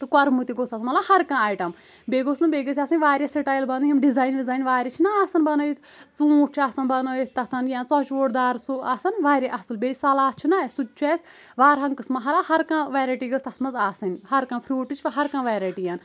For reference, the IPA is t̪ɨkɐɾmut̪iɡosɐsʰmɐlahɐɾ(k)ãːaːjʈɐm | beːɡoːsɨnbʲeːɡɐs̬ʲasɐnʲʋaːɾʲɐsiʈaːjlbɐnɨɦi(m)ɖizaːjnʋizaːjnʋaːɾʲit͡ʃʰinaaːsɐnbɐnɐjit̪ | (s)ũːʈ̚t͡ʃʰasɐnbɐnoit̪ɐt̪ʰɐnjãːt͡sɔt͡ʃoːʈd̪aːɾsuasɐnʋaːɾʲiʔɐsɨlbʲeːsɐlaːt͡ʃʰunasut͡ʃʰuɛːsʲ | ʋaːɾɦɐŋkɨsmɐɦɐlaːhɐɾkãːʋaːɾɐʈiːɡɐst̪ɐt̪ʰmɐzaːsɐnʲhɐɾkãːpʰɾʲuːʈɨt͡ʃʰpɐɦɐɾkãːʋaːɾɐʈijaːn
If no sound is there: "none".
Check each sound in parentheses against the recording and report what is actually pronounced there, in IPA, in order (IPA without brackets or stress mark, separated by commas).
k, m, t͡s